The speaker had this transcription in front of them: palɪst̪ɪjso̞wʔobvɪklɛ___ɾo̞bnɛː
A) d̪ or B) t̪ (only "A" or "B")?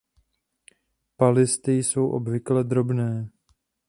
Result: A